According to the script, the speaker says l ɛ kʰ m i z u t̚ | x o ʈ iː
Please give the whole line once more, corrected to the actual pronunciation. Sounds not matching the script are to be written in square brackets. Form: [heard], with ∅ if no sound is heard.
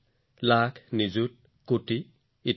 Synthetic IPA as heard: l [a] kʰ [n] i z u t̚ | [k] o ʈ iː